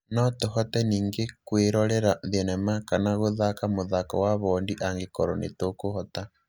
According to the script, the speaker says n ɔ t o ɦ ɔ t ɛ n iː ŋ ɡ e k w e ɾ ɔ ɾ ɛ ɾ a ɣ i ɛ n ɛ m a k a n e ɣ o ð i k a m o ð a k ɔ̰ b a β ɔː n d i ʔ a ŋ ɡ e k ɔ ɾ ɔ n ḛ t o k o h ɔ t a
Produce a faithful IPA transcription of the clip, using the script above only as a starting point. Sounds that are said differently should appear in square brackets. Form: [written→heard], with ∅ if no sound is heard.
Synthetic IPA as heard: n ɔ t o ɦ ɔ t ɛ n iː ŋ ɡ e k w e ɾ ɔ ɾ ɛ ɾ a [ɣ→ð] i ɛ n ɛ m a k a n [e→a] ɣ o ð [i→a] k a m o ð a k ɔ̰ [b→w] a β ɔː n d i ʔ a ŋ ɡ e k ɔ ɾ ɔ n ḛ t o k o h ɔ t a

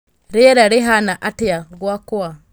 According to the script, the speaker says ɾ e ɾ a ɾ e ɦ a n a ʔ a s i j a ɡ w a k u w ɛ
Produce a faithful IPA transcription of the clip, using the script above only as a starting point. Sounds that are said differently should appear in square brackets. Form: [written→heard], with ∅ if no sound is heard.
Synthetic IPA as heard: ɾ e ɾ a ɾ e ɦ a n a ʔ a [s→t] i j a ɡ w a k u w [ɛ→a]

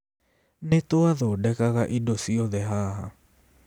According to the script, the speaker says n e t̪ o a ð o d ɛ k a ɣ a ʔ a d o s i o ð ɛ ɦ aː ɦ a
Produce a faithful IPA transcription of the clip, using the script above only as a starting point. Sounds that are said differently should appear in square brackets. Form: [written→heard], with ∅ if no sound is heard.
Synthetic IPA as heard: n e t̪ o a ð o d ɛ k a ɣ a ʔ [a→i] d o s i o ð ɛ ɦ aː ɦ a

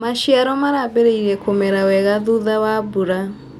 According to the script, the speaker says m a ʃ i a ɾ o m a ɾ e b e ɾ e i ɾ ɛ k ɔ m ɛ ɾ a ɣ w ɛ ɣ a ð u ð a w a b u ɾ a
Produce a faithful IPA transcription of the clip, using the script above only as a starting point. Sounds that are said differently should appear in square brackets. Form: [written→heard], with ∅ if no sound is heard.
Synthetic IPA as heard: m a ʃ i a ɾ [o→ɔ] m a ɾ [e→a] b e ɾ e i ɾ ɛ k [ɔ→o] m ɛ ɾ a [ɣ→∅] w ɛ ɣ a ð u ð a w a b u ɾ a

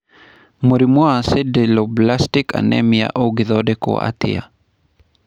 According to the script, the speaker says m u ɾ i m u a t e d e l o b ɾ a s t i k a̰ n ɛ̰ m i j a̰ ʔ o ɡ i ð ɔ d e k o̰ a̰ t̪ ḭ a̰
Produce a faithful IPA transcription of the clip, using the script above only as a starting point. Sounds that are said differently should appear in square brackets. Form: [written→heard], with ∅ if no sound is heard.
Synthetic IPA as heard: m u ɾ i m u a [t→s] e d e l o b [ɾ→l] a s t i k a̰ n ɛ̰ m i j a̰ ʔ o ɡ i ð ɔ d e k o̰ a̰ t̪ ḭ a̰

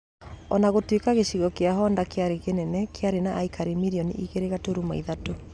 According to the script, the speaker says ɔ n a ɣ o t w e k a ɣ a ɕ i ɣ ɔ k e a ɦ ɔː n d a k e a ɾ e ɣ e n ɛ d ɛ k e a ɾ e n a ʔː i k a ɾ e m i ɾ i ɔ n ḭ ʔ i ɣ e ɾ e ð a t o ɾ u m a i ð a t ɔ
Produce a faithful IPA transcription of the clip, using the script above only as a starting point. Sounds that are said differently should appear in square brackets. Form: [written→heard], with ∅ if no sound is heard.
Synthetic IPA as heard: ɔ n a ɣ o t w e k a ɣ [a→e] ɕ i ɣ ɔ k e a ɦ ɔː n d a k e a ɾ e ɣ e n ɛ [d→n] ɛ k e a ɾ e n a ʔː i k a ɾ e m i ɾ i ɔ n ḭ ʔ i ɣ e ɾ e [ð→ɣ] a t o ɾ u m a i ð a t [ɔ→o]

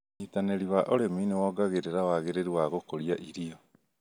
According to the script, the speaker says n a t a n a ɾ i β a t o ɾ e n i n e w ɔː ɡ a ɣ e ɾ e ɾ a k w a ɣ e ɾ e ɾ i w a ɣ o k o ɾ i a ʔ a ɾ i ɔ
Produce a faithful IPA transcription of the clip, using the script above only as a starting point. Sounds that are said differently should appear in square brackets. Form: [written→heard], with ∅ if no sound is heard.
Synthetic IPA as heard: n [a→i] t a n [a→e] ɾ i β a [t→ʔ] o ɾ e [n→m] i n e w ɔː ɡ a ɣ e ɾ e ɾ a [k→∅] w a ɣ e ɾ e ɾ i w a ɣ o k o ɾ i a ʔ [a→i] ɾ i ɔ

